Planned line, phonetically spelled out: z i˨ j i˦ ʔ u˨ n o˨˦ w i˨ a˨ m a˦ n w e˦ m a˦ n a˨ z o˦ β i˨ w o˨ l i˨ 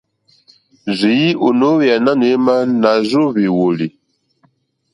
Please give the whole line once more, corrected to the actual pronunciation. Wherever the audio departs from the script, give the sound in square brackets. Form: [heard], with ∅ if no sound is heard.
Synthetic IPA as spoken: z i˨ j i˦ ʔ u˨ n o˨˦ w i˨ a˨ [n] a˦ n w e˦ m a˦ n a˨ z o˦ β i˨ w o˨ l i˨